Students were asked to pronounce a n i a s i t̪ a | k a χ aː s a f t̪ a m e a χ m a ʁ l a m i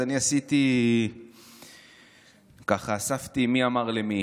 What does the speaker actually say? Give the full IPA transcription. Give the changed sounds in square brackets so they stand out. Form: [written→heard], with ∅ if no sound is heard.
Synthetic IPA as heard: a n i a s i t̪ [a→i] | k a χ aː s a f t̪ [a→i] m [e→i] a [χ→∅] m a ʁ l [a→e] m i